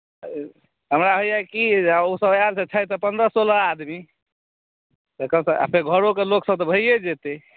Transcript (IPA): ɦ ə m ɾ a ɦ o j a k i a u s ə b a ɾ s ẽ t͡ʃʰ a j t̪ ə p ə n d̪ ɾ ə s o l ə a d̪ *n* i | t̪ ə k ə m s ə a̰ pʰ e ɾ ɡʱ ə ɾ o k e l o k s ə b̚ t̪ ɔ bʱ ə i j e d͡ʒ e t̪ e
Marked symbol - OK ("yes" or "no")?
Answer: no